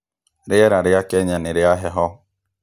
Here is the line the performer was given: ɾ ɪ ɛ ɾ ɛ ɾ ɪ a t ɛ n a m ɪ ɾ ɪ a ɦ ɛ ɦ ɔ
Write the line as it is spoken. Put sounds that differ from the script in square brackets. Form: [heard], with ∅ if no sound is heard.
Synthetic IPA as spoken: ɾ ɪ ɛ ɾ [a] ɾ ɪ a [k] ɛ [ɲ] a [n] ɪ ɾ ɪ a ɦ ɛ ɦ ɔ